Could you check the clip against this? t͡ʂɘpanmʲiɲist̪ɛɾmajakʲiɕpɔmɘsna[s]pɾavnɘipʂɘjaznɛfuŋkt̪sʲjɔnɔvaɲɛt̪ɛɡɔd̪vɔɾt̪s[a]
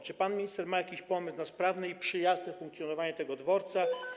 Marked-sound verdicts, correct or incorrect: correct, correct

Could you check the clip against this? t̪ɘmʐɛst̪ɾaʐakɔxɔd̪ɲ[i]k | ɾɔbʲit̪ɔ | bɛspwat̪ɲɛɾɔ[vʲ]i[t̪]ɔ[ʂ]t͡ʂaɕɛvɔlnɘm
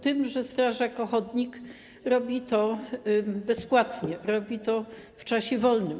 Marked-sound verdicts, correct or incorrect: correct, incorrect, correct, incorrect

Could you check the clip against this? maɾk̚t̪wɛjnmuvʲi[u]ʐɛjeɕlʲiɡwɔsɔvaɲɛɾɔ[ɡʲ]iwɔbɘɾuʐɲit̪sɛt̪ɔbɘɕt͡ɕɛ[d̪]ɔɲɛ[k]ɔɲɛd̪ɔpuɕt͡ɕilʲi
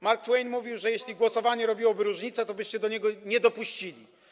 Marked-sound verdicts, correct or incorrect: incorrect, incorrect, correct, incorrect

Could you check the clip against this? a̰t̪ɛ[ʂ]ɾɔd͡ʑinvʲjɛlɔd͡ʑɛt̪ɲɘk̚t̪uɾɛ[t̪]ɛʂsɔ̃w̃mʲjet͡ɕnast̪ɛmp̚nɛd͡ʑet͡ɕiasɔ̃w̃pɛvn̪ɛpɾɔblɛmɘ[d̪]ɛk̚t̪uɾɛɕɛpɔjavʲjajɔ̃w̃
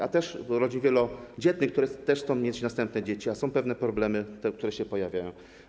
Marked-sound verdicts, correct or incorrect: correct, correct, incorrect

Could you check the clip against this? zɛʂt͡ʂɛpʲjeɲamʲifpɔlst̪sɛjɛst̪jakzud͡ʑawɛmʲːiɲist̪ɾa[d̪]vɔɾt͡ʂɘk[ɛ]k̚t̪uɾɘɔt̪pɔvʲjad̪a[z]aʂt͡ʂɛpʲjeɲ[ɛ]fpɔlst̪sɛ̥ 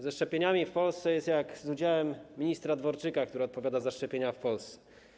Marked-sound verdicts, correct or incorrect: correct, incorrect, correct, incorrect

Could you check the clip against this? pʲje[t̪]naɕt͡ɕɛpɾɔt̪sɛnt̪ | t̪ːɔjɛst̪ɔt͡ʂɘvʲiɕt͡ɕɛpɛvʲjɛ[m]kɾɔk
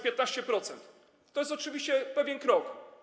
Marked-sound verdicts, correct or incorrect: correct, incorrect

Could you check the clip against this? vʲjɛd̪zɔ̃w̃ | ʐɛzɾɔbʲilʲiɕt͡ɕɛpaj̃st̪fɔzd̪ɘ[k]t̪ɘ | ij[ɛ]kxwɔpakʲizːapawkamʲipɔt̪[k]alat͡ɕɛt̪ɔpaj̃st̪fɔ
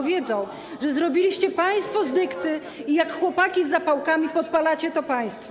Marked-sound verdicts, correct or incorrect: correct, incorrect, incorrect

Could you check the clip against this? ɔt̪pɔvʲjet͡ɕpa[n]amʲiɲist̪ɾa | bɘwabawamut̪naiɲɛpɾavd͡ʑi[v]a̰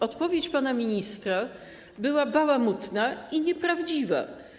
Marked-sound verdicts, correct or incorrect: correct, correct

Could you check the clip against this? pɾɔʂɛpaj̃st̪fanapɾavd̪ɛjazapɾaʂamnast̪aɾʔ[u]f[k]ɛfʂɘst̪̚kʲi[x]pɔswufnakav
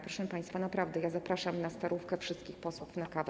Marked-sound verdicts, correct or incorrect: correct, correct, correct

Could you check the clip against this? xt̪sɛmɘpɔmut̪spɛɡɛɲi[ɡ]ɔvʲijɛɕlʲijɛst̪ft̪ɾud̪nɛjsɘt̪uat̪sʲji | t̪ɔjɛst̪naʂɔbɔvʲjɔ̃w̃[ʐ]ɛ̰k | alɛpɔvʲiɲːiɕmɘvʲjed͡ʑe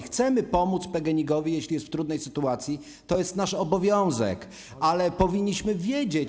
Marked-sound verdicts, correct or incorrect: correct, incorrect

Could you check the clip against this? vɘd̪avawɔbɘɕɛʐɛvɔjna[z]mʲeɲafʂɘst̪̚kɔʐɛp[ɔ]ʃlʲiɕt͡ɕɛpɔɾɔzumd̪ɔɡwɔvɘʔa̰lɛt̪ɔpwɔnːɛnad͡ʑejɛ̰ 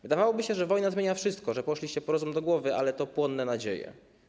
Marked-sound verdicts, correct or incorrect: correct, correct

